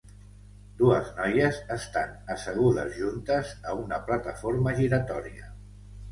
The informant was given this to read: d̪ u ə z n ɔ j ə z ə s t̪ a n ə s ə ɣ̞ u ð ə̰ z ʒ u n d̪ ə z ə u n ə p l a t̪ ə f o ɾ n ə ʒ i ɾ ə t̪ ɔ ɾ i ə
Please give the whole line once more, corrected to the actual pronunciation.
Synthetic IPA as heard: d̪ u ə z n ɔ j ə z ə s t̪ a n ə s ə ɣ̞ u ð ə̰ z ʒ u n t̪ ə z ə u n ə p l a t̪ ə f o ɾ m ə ʒ i ɾ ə t̪ ɔ ɾ i ə